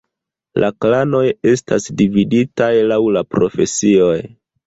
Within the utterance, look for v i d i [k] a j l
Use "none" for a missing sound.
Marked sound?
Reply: t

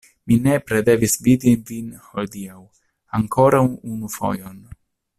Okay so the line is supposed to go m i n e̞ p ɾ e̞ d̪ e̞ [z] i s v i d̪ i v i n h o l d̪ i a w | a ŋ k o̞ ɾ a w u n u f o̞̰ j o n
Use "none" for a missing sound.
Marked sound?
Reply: v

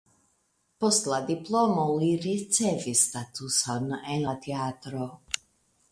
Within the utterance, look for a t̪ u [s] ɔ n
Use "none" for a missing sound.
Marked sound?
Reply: s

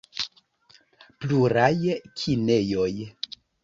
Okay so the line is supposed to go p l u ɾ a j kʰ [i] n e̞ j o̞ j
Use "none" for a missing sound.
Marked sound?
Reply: i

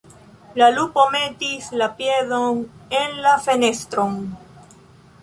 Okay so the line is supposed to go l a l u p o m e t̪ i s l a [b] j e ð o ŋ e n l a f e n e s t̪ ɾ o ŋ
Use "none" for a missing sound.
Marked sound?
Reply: p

